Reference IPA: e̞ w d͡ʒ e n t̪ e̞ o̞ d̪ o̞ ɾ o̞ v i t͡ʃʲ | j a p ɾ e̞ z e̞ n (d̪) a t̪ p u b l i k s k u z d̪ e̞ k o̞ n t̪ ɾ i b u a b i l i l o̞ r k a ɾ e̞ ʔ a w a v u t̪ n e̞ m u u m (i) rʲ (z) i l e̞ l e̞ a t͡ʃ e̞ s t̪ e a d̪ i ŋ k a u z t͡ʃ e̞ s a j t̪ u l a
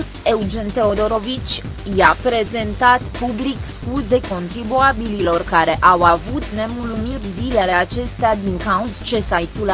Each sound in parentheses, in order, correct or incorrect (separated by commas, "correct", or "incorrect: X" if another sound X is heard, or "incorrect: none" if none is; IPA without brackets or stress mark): incorrect: t̪, correct, correct